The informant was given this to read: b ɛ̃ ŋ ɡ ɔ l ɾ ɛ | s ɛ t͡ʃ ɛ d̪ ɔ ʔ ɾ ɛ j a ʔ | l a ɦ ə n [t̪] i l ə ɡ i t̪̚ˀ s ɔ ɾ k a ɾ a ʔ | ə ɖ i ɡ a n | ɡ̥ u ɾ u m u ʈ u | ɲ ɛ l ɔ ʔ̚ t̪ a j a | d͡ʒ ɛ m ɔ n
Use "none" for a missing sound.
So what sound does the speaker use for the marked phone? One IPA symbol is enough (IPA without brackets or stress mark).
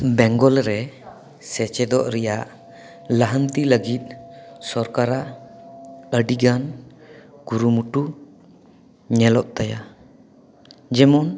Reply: t̪